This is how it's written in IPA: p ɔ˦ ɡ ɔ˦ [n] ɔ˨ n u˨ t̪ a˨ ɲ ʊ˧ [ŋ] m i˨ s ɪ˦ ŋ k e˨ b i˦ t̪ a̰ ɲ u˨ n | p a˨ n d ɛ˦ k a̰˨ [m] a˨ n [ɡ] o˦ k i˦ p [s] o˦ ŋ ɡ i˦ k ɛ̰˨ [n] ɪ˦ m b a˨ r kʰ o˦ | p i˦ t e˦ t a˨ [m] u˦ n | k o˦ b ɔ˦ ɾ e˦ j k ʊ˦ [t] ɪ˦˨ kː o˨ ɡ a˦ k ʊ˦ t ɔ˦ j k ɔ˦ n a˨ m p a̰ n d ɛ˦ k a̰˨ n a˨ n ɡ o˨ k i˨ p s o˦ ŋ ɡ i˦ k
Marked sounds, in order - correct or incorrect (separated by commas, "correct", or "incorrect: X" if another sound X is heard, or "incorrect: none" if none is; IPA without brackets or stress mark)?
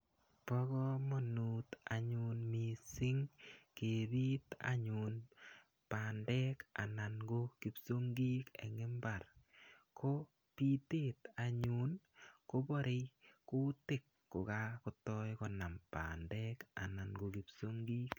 incorrect: m, incorrect: n, incorrect: n, correct, correct, incorrect: ŋ, incorrect: ɲ, correct